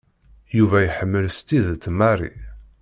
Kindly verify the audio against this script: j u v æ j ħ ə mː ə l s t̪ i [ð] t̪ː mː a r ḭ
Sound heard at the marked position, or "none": ð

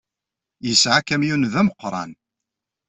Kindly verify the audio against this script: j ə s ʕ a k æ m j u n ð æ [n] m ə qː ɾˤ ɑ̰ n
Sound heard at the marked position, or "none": none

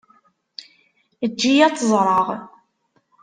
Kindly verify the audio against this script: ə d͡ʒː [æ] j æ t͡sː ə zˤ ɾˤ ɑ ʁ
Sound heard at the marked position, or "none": i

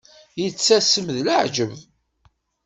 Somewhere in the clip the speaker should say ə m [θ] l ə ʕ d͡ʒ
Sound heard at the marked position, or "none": ð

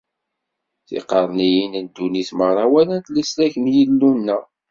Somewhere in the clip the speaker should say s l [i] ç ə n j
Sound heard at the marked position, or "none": æ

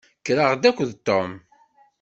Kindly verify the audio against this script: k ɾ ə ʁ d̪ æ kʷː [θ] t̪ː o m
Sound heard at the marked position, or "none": ð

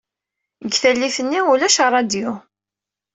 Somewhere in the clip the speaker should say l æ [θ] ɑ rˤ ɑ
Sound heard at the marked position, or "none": ʃ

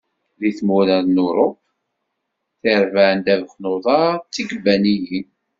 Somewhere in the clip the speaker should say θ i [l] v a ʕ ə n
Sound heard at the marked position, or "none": ɾ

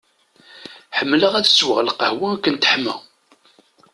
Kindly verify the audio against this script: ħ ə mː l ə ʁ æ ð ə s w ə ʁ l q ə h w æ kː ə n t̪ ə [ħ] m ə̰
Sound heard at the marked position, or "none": ħ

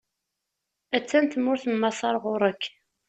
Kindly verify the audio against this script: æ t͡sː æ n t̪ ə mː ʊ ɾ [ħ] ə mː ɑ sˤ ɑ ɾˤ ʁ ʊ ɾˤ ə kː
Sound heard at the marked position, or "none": θ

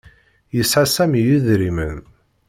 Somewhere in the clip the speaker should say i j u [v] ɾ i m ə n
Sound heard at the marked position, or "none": ð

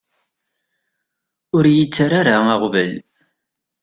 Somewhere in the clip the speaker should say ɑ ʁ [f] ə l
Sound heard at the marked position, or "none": v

